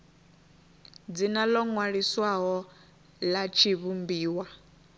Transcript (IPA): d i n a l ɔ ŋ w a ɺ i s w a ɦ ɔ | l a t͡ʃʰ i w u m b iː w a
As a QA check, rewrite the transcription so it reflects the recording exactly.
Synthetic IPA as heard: d͡z i n a l ɔ ŋ w a ɺ i s w a ɦ ɔ | l a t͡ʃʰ i β u m b iː w a